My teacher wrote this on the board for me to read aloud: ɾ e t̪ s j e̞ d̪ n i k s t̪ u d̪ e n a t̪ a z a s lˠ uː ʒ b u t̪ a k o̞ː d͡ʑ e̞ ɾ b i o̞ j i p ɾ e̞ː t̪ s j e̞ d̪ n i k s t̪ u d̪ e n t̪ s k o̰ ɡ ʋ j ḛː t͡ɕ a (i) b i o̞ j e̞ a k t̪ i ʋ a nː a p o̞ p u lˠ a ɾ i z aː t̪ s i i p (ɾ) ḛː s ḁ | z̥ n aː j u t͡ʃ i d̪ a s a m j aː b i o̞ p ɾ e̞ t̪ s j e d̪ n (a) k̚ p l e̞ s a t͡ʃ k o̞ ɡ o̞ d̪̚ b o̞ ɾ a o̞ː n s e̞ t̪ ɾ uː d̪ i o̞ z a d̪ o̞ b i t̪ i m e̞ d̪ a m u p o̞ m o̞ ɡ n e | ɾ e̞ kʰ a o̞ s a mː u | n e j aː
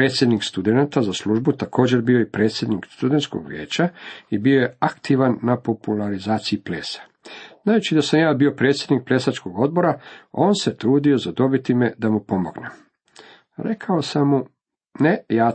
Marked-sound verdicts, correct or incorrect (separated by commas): correct, incorrect, incorrect